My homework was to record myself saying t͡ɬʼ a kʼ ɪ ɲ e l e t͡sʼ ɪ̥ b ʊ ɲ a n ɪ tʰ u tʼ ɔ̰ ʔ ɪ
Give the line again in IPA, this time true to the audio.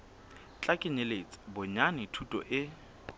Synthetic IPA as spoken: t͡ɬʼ a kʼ ɪ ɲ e l e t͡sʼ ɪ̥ b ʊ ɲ a n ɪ tʰ u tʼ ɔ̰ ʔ ɪ